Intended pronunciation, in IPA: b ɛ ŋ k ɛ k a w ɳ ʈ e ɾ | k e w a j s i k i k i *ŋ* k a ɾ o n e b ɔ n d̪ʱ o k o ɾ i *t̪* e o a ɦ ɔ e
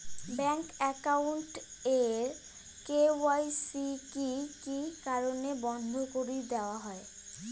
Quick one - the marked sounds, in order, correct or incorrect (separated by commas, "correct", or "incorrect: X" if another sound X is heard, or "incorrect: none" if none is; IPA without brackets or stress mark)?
incorrect: none, incorrect: d̪